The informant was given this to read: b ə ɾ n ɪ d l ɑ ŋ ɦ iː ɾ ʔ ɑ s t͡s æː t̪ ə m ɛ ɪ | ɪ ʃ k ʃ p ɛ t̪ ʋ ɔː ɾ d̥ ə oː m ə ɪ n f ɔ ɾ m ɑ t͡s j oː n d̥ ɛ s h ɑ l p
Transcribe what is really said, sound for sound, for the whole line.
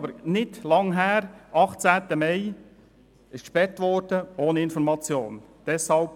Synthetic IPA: b ə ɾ n ɪ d l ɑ ŋ ɦ æː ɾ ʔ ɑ χ t͡s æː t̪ ə m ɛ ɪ | ɪ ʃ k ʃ p ɛ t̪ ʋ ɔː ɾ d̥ ə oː n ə ɪ n f ɔ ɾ m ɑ t͡s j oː n d̥ ɛ s h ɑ l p